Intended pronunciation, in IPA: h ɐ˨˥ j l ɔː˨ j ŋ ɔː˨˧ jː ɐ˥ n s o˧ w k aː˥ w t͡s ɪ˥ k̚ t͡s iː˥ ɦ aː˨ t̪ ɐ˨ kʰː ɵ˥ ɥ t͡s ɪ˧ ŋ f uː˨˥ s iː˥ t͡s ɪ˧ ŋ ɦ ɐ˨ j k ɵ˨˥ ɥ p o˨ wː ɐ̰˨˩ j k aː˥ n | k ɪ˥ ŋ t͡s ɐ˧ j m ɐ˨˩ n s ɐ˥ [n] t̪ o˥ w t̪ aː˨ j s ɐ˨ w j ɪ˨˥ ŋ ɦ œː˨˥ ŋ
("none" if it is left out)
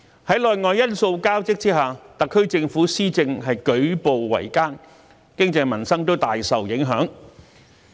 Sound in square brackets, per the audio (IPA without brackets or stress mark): ŋ